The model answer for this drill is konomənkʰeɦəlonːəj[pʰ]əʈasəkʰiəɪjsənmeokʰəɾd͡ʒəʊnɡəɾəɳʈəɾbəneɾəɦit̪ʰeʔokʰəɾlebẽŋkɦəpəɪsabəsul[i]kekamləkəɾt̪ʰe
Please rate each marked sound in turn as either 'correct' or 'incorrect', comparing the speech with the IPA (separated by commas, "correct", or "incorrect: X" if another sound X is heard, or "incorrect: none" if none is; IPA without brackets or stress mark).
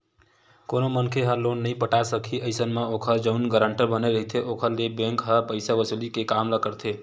incorrect: p, correct